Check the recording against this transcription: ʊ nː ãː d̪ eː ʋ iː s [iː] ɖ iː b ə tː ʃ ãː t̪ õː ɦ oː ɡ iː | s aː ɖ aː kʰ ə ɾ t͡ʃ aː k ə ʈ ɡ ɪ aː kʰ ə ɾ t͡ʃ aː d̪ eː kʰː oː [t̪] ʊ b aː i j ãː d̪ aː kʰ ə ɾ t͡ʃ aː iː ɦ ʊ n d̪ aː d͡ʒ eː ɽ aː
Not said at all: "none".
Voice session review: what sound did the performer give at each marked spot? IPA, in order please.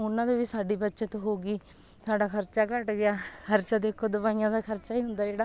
aː, d̪

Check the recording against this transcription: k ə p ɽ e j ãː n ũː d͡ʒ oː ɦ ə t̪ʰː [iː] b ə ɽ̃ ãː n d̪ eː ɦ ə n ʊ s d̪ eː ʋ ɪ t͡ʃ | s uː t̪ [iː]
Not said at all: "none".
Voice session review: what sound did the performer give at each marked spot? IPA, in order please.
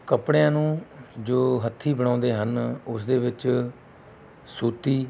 iː, iː

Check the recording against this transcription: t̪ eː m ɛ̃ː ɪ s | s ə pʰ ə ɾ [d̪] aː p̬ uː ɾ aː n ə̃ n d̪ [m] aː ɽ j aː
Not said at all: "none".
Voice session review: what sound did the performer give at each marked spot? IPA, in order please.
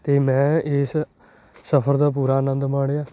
d̪, m

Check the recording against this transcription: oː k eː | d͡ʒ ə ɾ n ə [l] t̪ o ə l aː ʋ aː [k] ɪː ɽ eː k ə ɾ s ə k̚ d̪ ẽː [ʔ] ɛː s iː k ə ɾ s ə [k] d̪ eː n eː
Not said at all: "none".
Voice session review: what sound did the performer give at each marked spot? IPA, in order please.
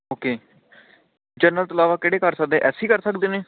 l, k, ʔ, k

